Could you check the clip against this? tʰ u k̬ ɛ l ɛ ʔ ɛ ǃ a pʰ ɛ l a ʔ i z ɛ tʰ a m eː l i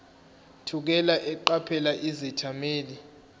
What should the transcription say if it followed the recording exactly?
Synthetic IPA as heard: tʰ u k̬ ɛ l a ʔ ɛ ǃ a pʰ ɛ l a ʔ i z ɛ tʰ a m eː l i